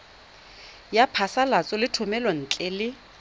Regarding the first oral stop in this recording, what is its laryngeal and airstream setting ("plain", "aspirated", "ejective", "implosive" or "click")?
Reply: aspirated